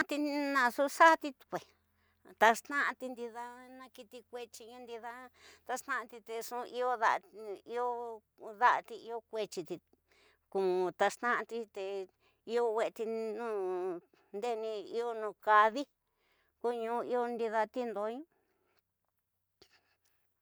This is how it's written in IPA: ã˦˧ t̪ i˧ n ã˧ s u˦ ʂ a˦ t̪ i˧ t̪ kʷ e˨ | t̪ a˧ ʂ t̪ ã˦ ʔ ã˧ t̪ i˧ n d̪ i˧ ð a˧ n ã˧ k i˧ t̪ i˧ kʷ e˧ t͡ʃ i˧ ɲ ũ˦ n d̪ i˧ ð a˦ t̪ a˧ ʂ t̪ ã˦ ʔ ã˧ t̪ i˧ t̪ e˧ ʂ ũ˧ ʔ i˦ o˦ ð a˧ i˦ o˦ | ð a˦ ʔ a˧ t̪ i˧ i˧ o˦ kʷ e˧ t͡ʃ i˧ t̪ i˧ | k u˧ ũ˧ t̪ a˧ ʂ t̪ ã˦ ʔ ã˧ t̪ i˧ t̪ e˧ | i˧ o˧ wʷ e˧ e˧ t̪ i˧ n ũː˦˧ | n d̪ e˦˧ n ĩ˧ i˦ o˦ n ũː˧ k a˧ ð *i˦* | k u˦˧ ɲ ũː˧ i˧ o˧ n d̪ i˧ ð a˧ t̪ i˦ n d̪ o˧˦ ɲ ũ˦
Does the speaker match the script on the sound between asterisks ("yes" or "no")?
yes